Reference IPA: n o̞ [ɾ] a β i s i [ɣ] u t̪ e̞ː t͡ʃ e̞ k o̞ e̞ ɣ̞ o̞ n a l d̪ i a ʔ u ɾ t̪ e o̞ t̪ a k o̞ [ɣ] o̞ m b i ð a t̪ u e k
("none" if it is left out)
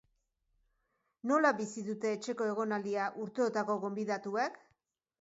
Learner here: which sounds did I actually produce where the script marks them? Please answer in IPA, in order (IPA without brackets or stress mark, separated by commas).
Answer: l, ð, ɣ